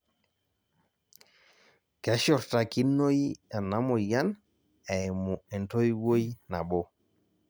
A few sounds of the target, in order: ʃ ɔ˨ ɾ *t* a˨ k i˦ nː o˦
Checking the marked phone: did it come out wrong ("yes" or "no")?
no